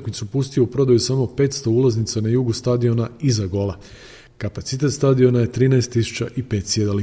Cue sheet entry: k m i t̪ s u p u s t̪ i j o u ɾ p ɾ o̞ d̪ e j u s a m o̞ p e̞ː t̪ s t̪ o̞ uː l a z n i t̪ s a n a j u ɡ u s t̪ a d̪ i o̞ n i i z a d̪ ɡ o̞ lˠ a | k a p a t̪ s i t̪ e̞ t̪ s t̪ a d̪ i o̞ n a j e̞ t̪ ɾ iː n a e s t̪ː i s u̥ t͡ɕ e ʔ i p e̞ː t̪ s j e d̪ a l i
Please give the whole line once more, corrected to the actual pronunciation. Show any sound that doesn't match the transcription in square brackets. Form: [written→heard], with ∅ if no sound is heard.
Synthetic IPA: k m i t̪ s u p u s t̪ i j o u [ɾ→∅] p ɾ o̞ d̪ [e→a] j u s a m o̞ p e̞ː t̪ s t̪ o̞ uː l a z n i t̪ s a n a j u ɡ u s t̪ a d̪ i o̞ n [i→a] i z a [d̪→∅] ɡ o̞ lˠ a | k a p a t̪ s i t̪ e̞ t̪ s t̪ a d̪ i o̞ n a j e̞ t̪ ɾ iː n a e s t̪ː i s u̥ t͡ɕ [e→a] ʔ i p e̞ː t̪ s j e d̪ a l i